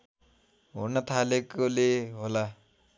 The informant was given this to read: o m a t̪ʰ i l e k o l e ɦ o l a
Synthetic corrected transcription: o n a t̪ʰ a l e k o l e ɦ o l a